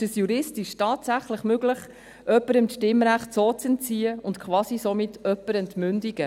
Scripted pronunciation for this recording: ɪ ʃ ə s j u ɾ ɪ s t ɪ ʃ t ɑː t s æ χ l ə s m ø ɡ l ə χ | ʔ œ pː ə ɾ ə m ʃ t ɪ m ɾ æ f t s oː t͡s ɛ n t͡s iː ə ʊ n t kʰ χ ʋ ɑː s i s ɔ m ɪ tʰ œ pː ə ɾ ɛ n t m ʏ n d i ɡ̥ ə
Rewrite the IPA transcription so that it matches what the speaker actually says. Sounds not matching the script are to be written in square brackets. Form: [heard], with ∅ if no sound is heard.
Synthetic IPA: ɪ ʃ ə s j u ɾ ɪ s t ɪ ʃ t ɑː t s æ χ l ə [χ] m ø ɡ l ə χ | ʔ œ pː ə ɾ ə m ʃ t ɪ m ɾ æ [χ] t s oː t͡s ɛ n t͡s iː ə ʊ n t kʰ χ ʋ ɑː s i s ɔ m ɪ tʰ œ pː ə ɾ ɛ n t m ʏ n d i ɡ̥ ə